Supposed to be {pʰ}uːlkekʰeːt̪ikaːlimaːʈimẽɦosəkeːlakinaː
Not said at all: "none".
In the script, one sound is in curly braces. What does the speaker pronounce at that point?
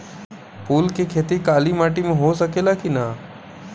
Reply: p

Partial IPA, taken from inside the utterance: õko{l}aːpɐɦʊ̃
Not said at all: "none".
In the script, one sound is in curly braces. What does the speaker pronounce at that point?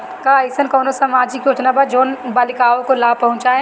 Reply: l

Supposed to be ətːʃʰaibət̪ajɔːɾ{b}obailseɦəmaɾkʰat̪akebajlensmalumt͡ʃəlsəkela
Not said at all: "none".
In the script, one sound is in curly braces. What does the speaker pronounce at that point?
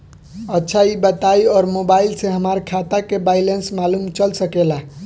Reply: m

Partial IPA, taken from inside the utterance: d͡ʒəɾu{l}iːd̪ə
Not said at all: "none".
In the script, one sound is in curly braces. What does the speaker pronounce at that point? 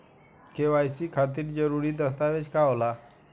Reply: ɾ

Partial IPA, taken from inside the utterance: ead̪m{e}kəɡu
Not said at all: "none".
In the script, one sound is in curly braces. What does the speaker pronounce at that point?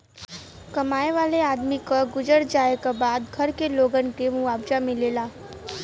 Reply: i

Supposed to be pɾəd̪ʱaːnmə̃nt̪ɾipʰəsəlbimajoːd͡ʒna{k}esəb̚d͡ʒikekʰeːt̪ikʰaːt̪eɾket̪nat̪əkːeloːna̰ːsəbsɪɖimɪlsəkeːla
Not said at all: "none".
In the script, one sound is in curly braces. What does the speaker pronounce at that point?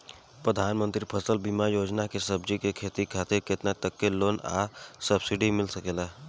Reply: k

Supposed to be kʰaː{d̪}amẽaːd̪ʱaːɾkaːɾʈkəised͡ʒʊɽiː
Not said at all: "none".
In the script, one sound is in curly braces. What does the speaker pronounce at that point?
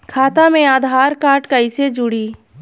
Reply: t̪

